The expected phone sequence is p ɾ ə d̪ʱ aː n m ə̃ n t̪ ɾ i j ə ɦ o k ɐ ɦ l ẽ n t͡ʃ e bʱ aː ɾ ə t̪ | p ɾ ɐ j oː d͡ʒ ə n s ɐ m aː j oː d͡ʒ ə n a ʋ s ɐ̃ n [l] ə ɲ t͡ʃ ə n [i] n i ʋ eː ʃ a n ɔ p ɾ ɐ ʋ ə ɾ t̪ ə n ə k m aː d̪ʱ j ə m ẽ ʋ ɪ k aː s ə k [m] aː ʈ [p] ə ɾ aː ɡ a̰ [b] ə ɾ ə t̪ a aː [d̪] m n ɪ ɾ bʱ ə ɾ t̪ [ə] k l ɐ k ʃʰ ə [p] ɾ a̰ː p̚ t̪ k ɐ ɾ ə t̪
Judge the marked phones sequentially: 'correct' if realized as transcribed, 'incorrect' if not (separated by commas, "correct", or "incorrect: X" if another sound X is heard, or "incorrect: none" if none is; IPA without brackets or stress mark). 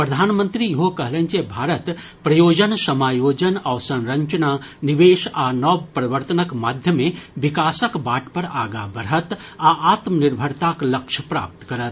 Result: incorrect: ɾ, incorrect: a, incorrect: b, correct, correct, incorrect: t̪, incorrect: a, correct